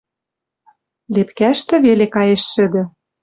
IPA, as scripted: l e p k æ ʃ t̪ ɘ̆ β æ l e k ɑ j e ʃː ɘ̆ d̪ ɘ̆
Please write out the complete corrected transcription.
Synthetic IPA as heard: l e p k æ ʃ t̪ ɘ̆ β e l e k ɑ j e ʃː ɘ̆ d̪ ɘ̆